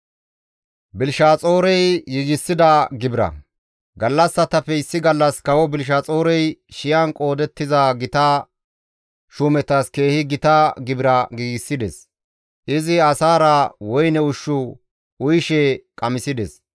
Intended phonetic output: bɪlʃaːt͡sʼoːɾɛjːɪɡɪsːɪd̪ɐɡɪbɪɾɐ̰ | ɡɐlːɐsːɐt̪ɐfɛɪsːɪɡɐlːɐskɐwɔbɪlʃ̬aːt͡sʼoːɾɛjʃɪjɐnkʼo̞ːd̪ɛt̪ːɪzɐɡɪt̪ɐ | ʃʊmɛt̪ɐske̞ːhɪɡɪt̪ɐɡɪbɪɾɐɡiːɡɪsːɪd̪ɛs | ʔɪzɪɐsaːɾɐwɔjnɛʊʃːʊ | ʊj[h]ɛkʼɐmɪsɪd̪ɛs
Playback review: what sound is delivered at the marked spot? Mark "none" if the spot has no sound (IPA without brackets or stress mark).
ʃ